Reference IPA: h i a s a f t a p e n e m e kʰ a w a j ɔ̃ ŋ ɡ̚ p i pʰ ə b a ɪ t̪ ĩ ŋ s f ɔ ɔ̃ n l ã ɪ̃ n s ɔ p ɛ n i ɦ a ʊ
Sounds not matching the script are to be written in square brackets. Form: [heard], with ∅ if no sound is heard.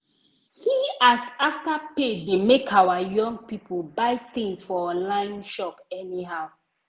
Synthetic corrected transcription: h i a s a f t a p e [d] e m e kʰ a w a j ɔ̃ ŋ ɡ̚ p i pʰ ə b a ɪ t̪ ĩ ŋ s f ɔ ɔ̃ n l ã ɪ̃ n [ʃ] ɔ p ɛ n i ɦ a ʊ